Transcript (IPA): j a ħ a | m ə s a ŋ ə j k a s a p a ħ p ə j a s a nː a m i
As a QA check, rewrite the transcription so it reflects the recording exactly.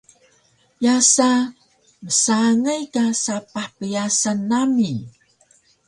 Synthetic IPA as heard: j a s a | m ə s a ŋ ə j k a s a p a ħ p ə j a s a nː a m i

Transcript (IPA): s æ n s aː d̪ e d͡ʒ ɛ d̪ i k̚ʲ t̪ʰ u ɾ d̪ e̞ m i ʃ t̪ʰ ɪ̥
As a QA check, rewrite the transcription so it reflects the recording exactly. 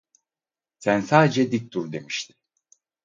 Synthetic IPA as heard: s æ n s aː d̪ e d͡ʒ ɛ d̪ i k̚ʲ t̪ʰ u ɾ d̪ e̞ m i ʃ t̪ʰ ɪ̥

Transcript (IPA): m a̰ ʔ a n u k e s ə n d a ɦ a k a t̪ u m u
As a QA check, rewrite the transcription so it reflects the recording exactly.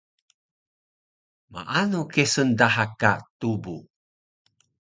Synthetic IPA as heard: m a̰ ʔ a n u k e s ə n d a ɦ a k a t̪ u b u

